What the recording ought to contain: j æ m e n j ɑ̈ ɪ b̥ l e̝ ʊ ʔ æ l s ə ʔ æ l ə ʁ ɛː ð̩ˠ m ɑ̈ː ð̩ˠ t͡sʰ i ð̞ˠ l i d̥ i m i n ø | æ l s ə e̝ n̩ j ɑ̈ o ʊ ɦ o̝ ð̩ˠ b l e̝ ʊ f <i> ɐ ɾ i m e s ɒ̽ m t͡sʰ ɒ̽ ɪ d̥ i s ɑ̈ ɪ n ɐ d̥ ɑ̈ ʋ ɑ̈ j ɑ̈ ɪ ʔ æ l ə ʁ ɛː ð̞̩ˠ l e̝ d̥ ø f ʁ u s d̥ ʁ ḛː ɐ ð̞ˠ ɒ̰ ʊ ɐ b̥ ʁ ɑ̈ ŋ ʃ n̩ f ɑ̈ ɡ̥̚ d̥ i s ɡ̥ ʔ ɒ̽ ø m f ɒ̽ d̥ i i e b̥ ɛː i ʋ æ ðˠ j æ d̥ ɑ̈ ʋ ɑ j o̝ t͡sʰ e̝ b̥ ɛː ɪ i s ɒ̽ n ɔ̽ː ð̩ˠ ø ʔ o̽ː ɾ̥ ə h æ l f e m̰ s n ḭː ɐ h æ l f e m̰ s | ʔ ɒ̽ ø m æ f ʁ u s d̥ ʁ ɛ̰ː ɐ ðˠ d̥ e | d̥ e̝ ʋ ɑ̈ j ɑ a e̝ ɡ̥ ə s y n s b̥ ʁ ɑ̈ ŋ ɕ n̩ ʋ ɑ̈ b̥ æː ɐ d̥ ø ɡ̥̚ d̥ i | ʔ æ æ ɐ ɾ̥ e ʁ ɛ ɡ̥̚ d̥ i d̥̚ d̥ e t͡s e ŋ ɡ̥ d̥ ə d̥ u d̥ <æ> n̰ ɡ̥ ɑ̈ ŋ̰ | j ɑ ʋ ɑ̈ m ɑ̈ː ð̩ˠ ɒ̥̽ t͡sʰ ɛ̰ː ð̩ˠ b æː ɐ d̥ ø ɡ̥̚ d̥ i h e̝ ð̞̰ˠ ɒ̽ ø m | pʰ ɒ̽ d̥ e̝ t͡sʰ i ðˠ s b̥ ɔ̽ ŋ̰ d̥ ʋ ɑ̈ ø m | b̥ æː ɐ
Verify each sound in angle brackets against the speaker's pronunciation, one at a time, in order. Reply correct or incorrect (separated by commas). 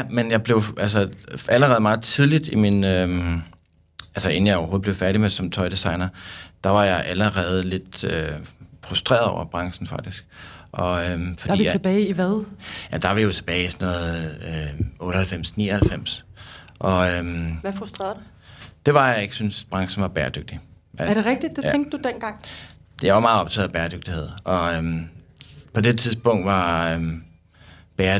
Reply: incorrect, incorrect